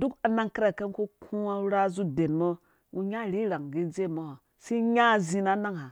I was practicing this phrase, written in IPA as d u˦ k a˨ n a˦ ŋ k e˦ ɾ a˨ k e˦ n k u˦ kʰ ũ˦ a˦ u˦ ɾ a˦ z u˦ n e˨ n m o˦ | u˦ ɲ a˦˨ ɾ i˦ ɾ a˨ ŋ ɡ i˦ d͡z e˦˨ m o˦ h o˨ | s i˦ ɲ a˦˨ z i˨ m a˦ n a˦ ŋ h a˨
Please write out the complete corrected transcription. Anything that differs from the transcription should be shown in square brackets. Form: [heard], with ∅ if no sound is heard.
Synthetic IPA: d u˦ k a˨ n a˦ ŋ k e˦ ɾ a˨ k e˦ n k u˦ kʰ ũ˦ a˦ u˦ ɾ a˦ z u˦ [d] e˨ n m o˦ | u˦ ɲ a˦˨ ɾ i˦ ɾ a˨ ŋ ɡ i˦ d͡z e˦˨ m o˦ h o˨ | s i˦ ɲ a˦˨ z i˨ [n] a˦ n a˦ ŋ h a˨